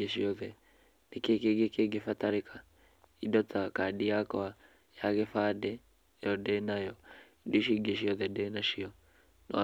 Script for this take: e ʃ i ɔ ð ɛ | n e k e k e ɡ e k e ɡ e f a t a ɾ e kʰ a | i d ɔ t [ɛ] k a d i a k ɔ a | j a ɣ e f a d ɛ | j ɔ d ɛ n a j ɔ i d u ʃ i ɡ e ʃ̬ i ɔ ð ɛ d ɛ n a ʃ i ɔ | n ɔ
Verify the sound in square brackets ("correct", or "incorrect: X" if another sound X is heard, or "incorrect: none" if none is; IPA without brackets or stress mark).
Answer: incorrect: a